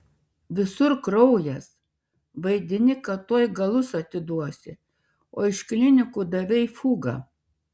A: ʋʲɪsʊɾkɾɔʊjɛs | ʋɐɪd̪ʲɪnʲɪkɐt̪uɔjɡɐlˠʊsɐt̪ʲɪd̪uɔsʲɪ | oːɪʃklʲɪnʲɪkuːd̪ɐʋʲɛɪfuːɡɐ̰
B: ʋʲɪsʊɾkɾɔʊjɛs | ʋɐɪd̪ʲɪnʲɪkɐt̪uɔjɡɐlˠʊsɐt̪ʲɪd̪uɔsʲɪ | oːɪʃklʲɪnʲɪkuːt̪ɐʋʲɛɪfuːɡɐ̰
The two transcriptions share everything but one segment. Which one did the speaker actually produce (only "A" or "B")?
A